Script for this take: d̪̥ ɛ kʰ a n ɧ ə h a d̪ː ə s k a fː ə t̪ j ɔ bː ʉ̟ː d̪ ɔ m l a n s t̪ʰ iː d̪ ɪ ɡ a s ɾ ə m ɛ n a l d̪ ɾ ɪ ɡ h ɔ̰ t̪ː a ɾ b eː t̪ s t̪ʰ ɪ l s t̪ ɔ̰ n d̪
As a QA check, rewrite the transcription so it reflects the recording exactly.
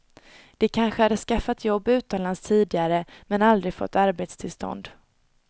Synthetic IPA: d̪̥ ɛ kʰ a n ɧ ə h a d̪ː ə s k a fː a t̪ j ɔ bː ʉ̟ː t̪ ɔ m l a n s t̪ʰ iː d̪ ɪ ɡ a ɾ ə m ɛ n a l d̪ ɾ ɪ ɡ f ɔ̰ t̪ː a ɾ b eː t̪ s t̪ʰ ɪ l s t̪ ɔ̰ n d̪